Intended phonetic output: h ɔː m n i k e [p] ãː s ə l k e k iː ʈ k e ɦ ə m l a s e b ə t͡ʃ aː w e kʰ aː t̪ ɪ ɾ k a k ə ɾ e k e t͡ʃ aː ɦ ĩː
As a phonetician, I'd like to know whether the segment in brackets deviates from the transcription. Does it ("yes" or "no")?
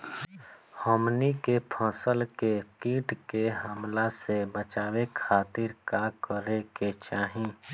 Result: yes